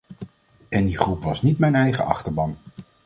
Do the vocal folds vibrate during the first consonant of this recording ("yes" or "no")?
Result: yes